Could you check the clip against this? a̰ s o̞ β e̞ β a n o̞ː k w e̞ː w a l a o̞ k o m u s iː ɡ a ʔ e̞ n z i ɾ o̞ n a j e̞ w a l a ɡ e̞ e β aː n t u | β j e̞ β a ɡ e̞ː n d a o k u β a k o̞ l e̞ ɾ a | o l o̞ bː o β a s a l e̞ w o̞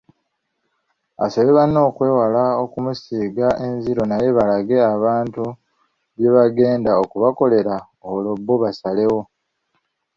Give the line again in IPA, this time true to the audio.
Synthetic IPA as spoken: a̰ s o̞ β e̞ β a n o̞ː k w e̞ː w a l a o̞ k u m u s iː ɡ a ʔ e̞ n z i ɾ o̞ n a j e̞ β a l a ɡ e̞ a β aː n t u | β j e̞ β a ɡ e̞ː n d a o k u β a k o̞ l e̞ ɾ a | o l o̞ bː o β a s a l e̞ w o̞